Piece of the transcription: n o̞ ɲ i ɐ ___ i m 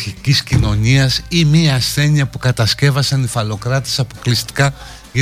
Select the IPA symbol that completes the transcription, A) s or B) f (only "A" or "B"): A